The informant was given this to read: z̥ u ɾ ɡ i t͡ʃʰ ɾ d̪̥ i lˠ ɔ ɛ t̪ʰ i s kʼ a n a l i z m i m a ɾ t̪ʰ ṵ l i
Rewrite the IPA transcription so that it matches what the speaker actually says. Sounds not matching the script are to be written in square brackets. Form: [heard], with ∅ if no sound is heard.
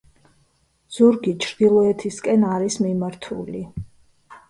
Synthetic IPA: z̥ u ɾ ɡ i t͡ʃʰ ɾ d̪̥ i lˠ ɔ ɛ t̪ʰ i s kʼ [ɛ] n a [ɾ] i [s] m i m a ɾ t̪ʰ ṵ l i